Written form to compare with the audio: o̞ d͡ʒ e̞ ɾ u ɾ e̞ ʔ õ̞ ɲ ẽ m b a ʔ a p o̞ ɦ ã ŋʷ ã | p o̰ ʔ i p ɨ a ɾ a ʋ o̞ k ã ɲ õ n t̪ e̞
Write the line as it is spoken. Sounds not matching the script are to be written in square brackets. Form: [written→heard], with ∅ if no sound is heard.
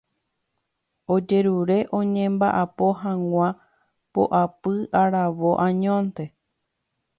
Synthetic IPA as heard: o̞ d͡ʒ e̞ ɾ u ɾ e̞ ʔ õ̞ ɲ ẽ m b a ʔ a p o̞ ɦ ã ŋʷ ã | p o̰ ʔ [i→a] p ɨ a ɾ a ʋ o̞ [k→ʔ] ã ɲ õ n t̪ e̞